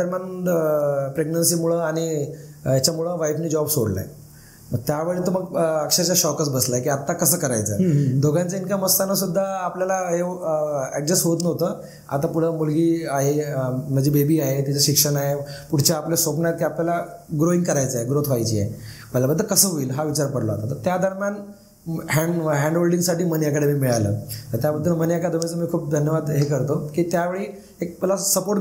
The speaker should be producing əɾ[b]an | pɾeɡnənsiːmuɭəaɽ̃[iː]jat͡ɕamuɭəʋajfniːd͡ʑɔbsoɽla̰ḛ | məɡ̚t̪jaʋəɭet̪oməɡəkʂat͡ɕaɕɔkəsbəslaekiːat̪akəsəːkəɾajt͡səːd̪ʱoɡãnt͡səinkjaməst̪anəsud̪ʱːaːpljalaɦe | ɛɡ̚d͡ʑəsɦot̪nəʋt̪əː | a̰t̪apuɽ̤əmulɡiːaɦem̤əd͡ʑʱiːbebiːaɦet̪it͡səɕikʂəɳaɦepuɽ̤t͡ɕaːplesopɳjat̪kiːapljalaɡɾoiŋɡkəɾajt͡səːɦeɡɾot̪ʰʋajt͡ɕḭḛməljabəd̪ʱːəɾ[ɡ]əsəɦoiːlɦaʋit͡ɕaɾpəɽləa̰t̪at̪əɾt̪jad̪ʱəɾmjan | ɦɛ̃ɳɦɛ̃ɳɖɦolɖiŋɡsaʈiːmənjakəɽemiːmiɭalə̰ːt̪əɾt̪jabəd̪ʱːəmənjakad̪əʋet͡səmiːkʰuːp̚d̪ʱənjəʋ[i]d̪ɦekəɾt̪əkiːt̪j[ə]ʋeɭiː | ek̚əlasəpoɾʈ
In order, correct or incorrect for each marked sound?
incorrect, incorrect, incorrect, incorrect, incorrect

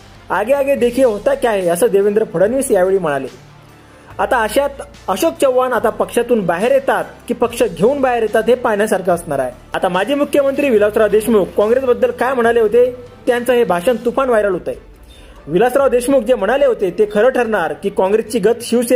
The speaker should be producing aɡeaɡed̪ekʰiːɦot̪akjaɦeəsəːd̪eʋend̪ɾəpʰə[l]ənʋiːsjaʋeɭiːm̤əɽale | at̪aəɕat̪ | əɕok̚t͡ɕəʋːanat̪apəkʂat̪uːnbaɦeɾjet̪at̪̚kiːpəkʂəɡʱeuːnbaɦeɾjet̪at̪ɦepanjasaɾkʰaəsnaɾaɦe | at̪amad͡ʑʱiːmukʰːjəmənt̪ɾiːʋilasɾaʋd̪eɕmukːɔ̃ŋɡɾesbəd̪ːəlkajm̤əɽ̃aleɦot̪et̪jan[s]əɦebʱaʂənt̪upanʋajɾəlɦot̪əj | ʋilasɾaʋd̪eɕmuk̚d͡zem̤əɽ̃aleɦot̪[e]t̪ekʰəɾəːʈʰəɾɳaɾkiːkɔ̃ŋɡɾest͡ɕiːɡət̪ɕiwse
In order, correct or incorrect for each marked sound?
incorrect, incorrect, correct

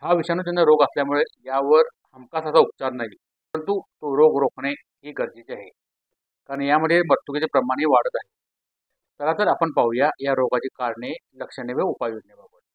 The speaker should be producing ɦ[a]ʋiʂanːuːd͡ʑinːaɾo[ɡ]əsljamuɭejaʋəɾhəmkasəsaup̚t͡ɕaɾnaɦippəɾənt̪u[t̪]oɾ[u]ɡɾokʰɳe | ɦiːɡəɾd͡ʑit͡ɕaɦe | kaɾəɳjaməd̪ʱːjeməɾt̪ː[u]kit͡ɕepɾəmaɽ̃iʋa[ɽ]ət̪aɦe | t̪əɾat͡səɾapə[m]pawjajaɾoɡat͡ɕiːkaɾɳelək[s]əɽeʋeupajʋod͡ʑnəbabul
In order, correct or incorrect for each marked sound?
correct, correct, correct, incorrect, correct, correct, incorrect, incorrect

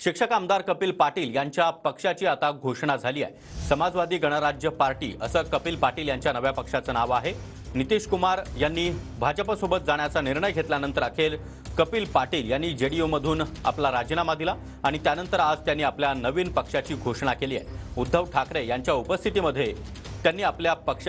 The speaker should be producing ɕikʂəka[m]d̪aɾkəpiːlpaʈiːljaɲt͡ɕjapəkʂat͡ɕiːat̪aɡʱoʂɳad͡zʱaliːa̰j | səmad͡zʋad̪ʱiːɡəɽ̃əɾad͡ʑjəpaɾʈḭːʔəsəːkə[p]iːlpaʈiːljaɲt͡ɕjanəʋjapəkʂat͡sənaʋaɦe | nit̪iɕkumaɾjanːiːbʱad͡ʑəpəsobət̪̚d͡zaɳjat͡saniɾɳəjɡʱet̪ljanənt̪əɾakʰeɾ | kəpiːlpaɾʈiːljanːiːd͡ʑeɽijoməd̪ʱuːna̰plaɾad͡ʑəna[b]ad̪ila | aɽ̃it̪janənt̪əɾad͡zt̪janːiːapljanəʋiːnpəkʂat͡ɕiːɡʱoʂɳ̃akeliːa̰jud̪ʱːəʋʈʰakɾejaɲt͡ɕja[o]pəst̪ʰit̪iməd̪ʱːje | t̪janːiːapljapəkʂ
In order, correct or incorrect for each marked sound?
correct, correct, incorrect, incorrect

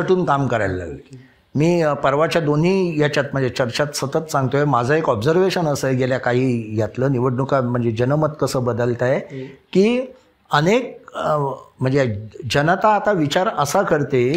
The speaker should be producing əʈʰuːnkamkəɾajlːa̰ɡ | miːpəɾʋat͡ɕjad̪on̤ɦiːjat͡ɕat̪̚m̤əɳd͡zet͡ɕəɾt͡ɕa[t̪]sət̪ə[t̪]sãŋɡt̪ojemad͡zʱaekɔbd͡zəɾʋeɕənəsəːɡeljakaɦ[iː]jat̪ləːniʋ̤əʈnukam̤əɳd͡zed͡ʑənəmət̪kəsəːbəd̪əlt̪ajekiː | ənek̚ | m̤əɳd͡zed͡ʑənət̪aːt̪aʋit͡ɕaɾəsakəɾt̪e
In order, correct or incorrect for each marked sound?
correct, correct, correct

